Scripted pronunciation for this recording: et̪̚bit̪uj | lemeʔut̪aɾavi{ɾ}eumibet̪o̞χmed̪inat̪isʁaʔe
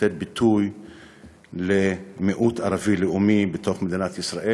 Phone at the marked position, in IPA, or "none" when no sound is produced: l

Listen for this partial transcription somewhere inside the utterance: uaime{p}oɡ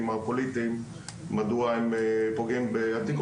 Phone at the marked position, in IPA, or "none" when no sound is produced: p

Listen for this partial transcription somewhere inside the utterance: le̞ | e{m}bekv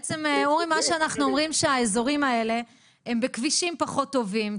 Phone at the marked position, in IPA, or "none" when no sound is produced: m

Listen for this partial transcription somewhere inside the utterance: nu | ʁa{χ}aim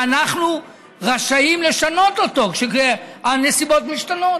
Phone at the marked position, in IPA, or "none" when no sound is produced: ʃ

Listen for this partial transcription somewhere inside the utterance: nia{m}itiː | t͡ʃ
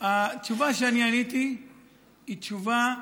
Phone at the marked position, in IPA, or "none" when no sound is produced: n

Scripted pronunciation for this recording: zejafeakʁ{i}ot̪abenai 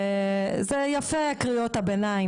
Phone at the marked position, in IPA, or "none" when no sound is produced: i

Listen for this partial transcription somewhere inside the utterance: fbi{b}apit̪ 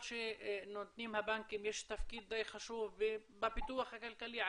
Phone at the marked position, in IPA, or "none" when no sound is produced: b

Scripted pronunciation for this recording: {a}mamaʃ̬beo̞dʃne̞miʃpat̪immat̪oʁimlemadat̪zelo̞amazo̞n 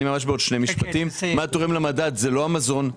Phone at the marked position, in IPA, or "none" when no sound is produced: i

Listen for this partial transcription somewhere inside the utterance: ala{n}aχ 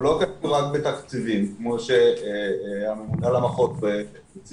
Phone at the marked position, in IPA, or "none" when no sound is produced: m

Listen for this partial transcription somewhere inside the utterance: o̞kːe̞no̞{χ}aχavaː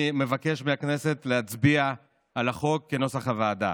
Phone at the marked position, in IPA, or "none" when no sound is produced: s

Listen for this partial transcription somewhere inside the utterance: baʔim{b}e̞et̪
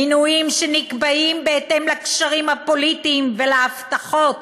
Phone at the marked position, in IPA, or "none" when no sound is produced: b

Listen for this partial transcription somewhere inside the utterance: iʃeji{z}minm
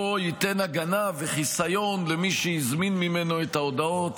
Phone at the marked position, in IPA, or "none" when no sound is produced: z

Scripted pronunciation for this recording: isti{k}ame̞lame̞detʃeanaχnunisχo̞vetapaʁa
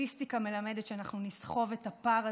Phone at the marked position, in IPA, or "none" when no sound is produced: k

